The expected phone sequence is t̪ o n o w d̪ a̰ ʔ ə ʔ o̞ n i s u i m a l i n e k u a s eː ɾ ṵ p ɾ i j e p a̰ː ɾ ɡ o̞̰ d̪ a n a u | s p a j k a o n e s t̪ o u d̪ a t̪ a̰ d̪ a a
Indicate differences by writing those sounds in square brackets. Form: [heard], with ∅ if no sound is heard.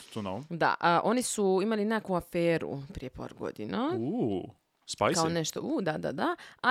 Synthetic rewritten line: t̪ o n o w d̪ a̰ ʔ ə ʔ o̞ n i s u i m a l i n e k u a [f] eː ɾ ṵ p ɾ i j e p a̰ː ɾ ɡ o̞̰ d̪ [i] n a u | s p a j k a o n e [ʃ] t̪ o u d̪ a [d̪] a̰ d̪ a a